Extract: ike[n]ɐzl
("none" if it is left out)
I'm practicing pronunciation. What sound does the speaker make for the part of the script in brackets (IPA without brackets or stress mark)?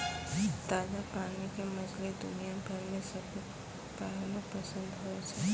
m